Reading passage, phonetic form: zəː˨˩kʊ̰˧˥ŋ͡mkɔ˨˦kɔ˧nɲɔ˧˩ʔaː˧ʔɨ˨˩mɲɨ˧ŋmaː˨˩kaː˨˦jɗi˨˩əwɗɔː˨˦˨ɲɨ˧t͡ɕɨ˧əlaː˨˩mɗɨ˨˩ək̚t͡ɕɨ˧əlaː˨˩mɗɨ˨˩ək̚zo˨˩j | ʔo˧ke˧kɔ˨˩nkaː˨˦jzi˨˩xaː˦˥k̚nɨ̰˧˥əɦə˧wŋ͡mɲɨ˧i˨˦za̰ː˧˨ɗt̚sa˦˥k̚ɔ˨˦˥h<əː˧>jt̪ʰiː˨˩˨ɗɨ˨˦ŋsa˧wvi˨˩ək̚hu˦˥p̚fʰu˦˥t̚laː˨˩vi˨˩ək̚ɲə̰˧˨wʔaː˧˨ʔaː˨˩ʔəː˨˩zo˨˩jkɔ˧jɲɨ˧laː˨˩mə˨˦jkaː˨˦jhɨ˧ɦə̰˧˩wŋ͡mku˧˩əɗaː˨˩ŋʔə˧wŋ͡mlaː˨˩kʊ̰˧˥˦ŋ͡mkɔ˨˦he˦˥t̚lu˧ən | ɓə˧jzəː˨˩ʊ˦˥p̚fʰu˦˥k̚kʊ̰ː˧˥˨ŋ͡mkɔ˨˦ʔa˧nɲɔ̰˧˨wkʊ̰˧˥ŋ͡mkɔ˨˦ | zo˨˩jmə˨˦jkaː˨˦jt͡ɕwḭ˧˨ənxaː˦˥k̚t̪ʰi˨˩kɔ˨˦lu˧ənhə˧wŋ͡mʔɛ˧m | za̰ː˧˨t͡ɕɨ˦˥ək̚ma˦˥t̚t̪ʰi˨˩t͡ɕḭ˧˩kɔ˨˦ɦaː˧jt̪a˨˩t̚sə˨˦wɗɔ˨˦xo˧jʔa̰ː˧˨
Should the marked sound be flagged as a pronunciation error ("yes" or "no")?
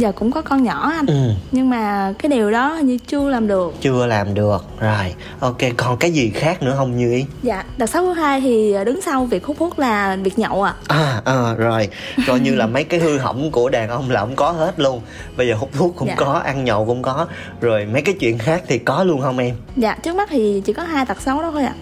yes